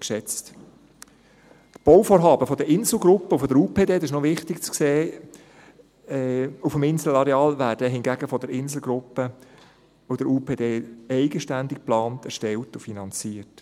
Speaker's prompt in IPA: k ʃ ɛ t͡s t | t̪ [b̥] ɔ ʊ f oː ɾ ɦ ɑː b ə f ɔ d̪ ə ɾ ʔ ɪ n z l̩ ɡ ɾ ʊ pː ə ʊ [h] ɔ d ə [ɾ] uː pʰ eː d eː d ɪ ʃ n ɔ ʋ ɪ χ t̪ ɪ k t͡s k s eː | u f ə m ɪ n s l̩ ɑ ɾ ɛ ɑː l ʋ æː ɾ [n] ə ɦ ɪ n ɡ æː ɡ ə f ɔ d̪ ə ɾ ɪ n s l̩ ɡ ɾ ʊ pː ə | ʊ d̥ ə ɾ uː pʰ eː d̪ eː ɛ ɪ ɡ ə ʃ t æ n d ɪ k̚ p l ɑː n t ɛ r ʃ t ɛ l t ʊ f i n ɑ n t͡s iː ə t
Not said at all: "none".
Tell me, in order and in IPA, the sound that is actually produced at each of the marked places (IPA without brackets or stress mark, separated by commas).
b̥, f, ɾ, d